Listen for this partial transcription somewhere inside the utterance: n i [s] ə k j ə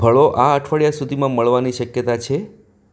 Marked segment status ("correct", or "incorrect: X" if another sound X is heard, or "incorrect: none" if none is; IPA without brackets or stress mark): incorrect: ʃ